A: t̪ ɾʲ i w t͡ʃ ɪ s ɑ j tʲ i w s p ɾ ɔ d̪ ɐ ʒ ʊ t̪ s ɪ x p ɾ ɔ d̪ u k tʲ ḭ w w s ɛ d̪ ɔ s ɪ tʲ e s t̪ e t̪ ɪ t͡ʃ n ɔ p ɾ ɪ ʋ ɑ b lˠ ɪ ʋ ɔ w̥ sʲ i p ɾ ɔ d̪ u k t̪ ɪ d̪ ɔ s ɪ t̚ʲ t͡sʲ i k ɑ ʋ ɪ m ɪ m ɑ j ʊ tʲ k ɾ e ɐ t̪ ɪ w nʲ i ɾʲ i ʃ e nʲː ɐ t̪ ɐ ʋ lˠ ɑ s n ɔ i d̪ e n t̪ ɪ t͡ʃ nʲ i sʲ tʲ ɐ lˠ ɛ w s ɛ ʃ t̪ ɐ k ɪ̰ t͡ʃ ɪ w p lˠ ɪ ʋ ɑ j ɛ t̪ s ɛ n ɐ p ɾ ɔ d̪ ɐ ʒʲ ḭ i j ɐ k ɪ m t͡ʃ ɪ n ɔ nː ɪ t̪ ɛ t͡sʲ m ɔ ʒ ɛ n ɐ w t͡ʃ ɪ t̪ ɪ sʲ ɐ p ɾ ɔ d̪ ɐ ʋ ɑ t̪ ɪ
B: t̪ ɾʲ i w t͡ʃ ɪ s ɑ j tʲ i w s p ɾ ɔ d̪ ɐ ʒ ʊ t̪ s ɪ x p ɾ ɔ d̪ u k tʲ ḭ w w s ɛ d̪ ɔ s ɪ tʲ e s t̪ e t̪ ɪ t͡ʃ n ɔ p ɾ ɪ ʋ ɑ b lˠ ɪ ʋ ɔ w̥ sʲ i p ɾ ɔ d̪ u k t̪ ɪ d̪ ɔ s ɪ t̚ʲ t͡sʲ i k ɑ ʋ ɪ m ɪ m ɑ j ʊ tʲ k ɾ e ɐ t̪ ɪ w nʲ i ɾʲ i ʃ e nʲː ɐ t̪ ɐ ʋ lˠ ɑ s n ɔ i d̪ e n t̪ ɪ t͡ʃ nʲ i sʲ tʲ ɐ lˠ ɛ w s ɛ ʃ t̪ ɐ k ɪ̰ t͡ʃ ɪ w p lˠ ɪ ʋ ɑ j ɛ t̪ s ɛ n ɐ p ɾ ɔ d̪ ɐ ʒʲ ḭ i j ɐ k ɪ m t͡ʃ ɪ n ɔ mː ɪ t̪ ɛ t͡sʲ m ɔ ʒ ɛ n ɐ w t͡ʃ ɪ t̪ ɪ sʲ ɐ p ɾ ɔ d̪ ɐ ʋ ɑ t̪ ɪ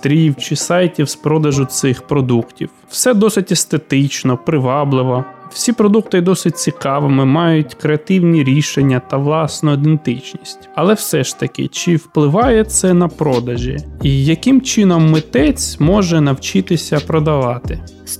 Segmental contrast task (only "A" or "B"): B